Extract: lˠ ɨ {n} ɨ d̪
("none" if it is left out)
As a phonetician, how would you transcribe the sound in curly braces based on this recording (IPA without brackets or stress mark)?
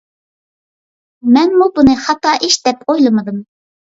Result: m